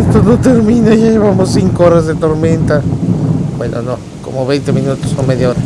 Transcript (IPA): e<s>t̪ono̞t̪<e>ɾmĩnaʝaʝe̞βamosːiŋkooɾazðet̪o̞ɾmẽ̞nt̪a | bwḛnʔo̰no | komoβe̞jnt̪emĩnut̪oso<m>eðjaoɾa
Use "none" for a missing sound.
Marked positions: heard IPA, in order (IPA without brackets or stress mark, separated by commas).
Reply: s, e, m